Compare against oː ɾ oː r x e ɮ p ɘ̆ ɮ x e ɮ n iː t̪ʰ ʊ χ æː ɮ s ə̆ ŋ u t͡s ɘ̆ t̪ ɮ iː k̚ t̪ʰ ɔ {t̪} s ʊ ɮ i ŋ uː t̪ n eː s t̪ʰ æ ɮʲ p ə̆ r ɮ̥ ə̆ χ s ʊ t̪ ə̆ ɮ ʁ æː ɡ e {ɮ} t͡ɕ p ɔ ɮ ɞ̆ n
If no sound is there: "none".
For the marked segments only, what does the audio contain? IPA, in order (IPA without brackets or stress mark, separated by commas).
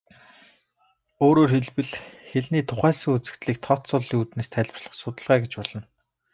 t̪, none